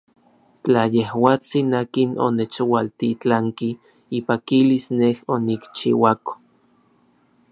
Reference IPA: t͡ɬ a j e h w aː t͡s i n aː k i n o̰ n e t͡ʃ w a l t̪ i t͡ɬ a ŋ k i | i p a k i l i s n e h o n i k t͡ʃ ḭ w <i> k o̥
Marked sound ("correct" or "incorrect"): incorrect